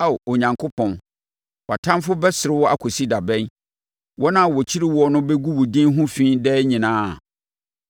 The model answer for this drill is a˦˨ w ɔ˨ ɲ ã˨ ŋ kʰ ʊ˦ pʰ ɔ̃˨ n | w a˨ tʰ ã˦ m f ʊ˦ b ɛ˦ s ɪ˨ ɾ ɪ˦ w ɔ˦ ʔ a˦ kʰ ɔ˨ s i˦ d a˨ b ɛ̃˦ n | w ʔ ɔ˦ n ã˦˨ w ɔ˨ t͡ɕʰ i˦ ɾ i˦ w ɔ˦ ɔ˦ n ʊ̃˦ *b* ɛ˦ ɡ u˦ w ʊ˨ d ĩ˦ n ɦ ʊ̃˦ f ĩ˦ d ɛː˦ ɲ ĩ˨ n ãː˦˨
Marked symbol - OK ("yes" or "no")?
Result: yes